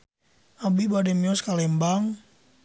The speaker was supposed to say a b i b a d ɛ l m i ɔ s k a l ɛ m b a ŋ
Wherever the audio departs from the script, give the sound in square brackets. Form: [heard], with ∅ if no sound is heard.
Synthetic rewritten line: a b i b a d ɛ [∅] m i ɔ s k a l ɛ m b a ŋ